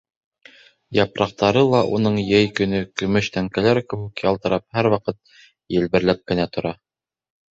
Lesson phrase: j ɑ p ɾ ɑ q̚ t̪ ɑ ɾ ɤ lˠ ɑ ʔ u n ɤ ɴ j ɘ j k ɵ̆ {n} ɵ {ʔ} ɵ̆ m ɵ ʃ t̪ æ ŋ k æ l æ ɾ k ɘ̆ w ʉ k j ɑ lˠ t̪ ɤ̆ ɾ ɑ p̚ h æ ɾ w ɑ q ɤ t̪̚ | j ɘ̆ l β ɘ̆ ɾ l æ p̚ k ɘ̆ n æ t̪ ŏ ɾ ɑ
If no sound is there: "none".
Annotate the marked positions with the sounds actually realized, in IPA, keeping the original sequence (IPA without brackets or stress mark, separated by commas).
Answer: n, k